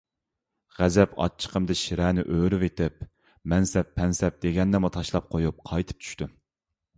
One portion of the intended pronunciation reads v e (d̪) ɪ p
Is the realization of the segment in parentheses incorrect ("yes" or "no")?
yes